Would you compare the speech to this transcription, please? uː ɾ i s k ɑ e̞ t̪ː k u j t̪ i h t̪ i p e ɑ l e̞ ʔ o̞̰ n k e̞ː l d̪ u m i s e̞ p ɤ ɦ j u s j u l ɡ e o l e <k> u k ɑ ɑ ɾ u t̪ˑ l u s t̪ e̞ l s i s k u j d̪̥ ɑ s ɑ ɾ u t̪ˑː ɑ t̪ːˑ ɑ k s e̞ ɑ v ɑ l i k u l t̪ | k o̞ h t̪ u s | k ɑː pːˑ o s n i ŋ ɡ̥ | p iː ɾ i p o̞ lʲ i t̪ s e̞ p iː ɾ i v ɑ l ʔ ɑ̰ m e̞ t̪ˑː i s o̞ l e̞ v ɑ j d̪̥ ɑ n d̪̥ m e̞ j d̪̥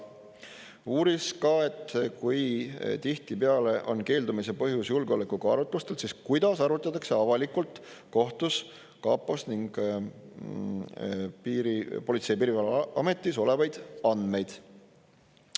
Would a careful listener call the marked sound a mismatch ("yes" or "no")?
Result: no